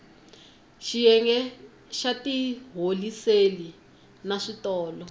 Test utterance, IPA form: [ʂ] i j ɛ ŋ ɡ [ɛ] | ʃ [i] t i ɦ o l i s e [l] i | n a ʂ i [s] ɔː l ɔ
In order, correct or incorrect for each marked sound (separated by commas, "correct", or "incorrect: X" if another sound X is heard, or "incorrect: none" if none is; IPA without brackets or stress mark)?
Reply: incorrect: ʃ, correct, incorrect: a, correct, incorrect: t